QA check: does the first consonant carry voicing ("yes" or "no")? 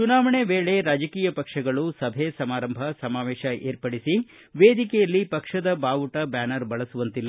no